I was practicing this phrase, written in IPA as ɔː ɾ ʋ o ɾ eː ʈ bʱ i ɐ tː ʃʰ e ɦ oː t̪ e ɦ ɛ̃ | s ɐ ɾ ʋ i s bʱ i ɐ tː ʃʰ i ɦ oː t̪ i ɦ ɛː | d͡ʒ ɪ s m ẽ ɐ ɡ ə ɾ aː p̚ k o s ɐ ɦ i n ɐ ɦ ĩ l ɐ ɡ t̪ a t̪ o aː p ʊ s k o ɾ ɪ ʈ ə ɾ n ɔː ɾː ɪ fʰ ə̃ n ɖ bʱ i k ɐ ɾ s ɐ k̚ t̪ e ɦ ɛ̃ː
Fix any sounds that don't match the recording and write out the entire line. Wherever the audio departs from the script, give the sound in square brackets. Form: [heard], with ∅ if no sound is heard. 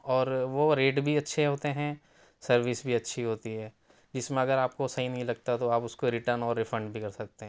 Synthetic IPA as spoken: ɔː ɾ ʋ o ɾ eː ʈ bʱ i ɐ tː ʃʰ e ɦ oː t̪ e ɦ ɛ̃ | s ɐ ɾ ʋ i s bʱ i ɐ tː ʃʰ i ɦ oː t̪ i ɦ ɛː | d͡ʒ ɪ s m ẽ ɐ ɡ ə ɾ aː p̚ k o s ɐ ɦ i n ɐ ɦ ĩ l ɐ ɡ t̪ a t̪ o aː p ʊ s k o ɾ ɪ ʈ ə ɾ n ɔː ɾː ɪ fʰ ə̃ [ɳ] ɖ bʱ i k ɐ ɾ s ɐ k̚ t̪ e ɦ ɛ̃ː